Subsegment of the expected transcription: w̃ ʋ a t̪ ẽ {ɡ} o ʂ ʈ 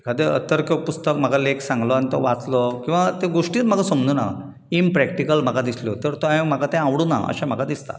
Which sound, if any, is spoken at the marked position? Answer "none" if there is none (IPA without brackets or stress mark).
ɡ